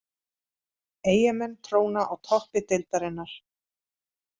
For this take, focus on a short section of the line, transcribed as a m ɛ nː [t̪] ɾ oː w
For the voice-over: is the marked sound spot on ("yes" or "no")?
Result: no